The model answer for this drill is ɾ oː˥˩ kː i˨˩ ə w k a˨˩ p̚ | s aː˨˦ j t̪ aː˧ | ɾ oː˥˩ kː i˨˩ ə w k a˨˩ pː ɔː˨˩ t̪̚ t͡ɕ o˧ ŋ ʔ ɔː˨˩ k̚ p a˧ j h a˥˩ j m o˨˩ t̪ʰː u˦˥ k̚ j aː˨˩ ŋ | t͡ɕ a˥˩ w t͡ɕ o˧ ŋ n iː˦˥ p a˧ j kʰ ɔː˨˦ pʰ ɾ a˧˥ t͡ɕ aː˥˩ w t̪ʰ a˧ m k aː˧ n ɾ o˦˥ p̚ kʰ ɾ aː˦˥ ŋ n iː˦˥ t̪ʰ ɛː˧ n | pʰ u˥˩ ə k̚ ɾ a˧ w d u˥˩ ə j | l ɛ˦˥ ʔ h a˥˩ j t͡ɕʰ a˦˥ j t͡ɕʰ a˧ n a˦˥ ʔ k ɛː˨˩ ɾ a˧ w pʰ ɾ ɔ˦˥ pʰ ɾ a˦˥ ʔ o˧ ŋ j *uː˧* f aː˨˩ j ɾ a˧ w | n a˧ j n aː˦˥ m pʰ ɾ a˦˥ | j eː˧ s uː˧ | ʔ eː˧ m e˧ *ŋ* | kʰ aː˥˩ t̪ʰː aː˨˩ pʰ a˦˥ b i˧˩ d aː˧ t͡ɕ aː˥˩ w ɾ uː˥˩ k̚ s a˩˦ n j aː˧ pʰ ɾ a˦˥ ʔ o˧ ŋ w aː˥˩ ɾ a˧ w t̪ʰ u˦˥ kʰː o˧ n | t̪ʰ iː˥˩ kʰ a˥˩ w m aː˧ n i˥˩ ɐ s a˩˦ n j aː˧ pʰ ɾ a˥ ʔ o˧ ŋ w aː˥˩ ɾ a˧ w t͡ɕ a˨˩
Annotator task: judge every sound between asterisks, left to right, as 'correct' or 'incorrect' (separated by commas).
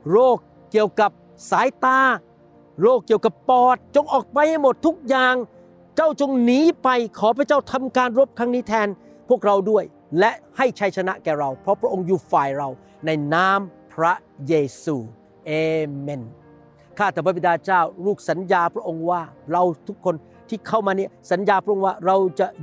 incorrect, incorrect